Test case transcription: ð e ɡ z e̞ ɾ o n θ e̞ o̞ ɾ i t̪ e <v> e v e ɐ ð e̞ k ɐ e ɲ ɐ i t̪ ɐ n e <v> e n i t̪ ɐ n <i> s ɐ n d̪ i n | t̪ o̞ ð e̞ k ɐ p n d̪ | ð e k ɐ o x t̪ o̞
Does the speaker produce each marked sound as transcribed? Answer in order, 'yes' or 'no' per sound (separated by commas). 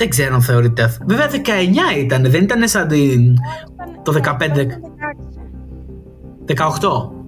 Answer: yes, no, no